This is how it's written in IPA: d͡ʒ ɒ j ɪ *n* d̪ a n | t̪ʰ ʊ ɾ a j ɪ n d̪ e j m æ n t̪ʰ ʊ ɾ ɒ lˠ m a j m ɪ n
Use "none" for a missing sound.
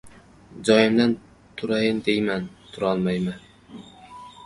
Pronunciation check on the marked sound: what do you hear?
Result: m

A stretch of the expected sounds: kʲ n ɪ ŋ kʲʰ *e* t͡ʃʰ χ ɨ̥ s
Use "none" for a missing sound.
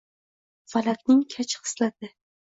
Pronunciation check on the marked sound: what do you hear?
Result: a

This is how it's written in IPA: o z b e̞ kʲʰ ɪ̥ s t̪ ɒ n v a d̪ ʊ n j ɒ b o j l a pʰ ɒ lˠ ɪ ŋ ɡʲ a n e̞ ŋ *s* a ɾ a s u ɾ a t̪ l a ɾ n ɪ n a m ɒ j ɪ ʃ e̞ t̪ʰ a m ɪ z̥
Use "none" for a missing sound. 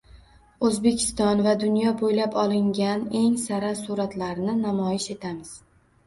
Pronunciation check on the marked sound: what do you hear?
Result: s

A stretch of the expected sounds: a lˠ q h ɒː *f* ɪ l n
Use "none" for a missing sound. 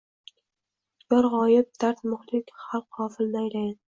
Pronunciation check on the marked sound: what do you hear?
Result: f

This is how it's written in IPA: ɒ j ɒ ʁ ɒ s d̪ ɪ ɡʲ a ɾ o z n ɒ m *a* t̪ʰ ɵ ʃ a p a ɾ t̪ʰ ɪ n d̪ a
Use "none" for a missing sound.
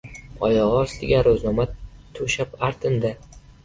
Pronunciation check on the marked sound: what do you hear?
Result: a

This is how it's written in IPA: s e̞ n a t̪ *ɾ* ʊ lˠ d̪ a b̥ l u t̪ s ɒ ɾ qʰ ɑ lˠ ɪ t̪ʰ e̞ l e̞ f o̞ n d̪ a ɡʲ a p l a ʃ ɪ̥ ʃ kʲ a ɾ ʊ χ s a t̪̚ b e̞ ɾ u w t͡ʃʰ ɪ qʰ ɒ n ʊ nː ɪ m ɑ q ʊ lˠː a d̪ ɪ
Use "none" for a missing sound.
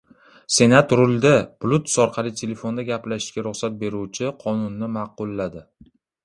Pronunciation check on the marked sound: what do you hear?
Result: ɾ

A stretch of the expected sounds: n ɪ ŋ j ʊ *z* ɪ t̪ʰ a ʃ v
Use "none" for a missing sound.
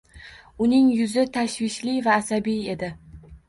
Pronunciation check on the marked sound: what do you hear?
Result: z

